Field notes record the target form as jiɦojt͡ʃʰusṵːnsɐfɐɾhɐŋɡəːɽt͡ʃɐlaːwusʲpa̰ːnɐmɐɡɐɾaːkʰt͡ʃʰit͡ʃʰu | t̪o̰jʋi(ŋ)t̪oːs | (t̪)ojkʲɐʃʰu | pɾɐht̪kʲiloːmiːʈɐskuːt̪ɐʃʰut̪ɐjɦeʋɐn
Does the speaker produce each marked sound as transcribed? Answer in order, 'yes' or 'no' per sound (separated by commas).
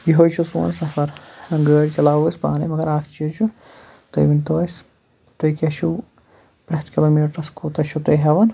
no, yes